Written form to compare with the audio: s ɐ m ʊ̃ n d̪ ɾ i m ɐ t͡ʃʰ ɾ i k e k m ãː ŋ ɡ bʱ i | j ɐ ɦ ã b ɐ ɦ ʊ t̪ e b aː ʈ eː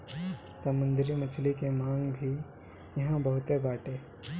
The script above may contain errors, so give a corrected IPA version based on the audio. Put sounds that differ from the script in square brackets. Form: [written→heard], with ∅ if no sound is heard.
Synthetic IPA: s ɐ m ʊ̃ n d̪ ɾ i m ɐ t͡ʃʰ [ɾ→l] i k e [k→∅] m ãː ŋ ɡ bʱ i | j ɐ ɦ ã b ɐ ɦ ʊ t̪ e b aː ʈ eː

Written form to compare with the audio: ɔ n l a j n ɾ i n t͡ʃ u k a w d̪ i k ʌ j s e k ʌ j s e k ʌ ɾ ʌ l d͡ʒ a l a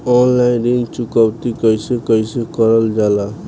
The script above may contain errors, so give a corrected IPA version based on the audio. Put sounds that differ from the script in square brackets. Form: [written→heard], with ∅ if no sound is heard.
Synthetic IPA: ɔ n l a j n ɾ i n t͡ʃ u k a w [d̪→t̪] i k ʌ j s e k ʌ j s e k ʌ ɾ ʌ l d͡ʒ a l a

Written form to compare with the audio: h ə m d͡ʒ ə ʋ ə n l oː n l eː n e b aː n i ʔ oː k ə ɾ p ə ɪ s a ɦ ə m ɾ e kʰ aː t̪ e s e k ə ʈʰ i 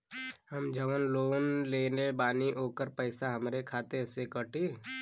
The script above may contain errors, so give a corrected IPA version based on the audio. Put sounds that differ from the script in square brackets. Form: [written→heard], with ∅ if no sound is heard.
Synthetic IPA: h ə m d͡ʒ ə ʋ ə n l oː n l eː n e b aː n i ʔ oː k ə ɾ p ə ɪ s a ɦ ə m ɾ e kʰ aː t̪ e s e k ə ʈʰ i

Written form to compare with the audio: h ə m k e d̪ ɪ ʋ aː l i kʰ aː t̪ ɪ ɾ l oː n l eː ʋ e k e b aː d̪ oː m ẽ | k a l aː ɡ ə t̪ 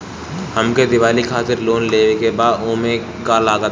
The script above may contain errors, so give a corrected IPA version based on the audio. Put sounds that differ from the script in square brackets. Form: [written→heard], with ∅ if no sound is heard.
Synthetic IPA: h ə m k e d̪ ɪ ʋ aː l i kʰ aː t̪ ɪ ɾ l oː n l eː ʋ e k e b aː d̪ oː m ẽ | k a l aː ɡ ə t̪

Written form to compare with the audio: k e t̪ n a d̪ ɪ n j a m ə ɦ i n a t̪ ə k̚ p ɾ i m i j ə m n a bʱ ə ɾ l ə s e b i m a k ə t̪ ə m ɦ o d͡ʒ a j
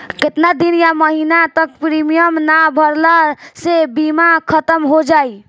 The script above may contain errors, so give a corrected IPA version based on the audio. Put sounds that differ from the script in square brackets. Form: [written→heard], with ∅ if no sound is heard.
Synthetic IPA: k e t̪ n a d̪ [ɪ→i] n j a m ə ɦ i n a t̪ ə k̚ p ɾ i m i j ə m n a bʱ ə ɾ l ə s e b i m a [k→kʰ] ə t̪ ə m ɦ o d͡ʒ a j

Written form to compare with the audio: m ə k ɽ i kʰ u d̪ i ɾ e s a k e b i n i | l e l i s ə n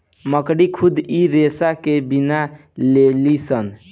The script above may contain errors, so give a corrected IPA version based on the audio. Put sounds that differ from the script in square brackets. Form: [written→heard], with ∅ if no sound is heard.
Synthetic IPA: m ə k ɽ i kʰ u d̪ i ɾ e s a k e b i n [i→a] | l e l i s ə n

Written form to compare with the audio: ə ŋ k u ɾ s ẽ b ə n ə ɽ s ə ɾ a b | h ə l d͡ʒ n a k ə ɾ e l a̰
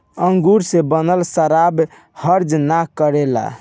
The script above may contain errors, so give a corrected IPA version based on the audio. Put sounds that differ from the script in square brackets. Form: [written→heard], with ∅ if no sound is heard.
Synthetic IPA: ə ŋ [k→ɡ] u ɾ s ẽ b ə n ə [ɽ→l] s ə ɾ a b | h ə [l→ɾ] d͡ʒ n a k ə ɾ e l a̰

